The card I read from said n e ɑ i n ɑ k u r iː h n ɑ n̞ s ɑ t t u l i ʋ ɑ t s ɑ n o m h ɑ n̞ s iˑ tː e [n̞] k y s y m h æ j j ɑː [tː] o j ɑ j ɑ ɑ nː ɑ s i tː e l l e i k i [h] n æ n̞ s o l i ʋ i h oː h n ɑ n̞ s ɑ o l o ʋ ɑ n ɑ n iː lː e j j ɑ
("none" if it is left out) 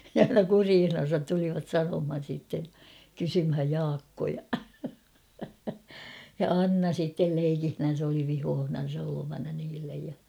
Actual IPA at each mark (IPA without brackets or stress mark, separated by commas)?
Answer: n̞, kː, h